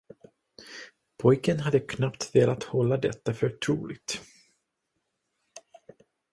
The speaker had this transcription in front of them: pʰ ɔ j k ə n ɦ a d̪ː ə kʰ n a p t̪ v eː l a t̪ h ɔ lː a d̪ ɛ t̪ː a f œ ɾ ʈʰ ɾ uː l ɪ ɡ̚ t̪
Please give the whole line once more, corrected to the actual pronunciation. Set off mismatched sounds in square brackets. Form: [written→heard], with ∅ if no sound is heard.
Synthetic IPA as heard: pʰ ɔ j k ə n ɦ a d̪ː ə kʰ n a p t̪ v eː l a t̪ h ɔ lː a d̪ ɛ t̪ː a f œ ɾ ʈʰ ɾ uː l ɪ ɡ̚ t̪

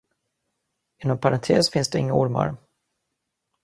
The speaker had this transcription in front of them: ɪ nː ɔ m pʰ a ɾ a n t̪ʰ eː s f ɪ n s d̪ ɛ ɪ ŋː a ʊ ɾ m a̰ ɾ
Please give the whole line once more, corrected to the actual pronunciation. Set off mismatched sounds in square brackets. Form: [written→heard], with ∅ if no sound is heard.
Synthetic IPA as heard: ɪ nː ɔ m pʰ a ɾ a n t̪ʰ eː s f ɪ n s d̪ ɛ ɪ ŋː a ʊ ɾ m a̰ ɾ

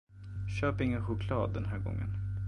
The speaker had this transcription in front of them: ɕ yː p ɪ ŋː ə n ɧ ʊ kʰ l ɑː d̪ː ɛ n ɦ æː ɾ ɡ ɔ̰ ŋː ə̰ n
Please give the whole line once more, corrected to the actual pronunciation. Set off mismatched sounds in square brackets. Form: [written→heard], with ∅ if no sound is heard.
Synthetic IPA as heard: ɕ [yː→øː] p ɪ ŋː ə n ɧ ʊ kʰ l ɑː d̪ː ɛ n ɦ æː ɾ ɡ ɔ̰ ŋː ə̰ n

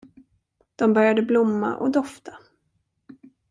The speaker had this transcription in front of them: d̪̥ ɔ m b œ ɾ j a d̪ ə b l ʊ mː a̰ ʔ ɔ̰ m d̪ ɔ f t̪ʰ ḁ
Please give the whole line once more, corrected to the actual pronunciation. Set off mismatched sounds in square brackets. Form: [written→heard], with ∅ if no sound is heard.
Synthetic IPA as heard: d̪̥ ɔ m b œ ɾ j a d̪ ə b l ʊ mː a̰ ʔ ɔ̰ [m→∅] d̪ ɔ f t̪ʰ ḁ

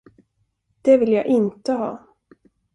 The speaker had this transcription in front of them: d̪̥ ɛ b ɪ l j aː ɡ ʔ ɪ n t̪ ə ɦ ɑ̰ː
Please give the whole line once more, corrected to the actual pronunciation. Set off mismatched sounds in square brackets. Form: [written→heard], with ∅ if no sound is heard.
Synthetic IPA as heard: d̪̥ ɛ [b→v] ɪ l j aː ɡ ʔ ɪ n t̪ ə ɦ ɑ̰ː

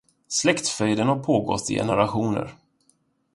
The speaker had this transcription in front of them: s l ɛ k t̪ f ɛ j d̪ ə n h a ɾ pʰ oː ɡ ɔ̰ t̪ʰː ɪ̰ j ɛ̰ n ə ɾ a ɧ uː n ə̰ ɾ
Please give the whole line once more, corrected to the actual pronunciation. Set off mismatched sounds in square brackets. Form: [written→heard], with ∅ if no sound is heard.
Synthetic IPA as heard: s l ɛ k t̪ f [ɛ→œ] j d̪ ə n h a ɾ pʰ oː ɡ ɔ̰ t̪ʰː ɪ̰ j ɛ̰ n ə ɾ a ɧ uː n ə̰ ɾ

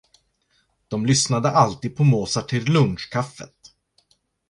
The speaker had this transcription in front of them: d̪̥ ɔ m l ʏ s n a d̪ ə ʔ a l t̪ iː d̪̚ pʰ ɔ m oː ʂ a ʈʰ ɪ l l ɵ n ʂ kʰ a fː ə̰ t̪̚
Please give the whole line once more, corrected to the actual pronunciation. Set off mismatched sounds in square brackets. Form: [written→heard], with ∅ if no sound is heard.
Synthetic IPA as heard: d̪̥ ɔ m l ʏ s n a d̪ ə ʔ a l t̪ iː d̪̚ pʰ ɔ m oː [ʂ→s] a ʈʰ ɪ l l ɵ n ʂ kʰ a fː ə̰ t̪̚

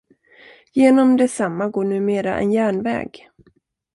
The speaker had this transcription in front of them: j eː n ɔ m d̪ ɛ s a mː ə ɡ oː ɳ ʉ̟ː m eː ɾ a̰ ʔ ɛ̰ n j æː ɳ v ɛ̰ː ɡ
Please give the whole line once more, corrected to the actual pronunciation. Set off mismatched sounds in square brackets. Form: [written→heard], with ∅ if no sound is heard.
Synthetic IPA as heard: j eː n ɔ m d̪ ɛ s a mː [ə→a] ɡ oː ɳ ʉ̟ː m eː ɾ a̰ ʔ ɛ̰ n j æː ɳ v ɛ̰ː ɡ

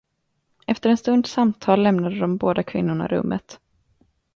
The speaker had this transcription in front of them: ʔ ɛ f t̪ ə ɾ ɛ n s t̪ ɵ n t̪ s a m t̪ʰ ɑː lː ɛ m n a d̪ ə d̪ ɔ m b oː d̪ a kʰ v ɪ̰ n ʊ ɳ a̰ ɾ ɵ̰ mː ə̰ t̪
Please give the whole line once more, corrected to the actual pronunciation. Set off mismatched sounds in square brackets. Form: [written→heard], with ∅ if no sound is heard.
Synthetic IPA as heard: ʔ ɛ f t̪ ə ɾ ɛ n s t̪ ɵ n [t̪→d̪] s a m t̪ʰ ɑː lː ɛ m n a d̪ ə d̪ ɔ m b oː d̪ a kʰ v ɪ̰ [n→nː] ʊ ɳ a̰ ɾ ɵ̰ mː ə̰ t̪

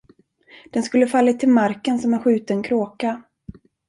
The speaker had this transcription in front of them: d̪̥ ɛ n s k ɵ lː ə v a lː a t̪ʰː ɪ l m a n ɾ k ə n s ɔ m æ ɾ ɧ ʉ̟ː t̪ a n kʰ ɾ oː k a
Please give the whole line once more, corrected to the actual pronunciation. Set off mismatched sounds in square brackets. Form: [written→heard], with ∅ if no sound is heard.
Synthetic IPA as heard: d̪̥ ɛ n s k ɵ lː ə [v→f] a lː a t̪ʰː ɪ l m a [n→∅] ɾ k ə n s ɔ m æ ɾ ɧ ʉ̟ː t̪ [a→ə] n kʰ ɾ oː k a

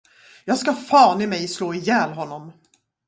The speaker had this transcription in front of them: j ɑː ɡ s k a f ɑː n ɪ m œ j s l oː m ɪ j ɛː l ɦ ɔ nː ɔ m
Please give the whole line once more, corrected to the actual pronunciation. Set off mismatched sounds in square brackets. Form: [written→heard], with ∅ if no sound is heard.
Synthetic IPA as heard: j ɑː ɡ s k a f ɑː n ɪ m [œ→ɛ] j s l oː [m→∅] ɪ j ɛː l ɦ ɔ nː ɔ m

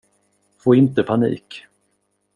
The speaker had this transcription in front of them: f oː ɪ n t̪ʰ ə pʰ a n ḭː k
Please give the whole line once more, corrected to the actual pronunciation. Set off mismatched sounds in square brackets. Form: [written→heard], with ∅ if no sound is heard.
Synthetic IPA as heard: f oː ɪ n [t̪ʰ→t̪] ə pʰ a n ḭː k

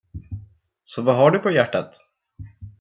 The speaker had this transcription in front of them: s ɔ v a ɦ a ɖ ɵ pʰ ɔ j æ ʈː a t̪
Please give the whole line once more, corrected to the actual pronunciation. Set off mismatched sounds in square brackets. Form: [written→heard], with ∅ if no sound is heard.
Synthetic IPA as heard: s ɔ v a ɦ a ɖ ɵ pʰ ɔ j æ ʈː a t̪

